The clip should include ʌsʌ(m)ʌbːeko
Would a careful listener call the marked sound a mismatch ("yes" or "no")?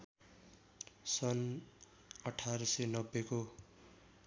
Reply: yes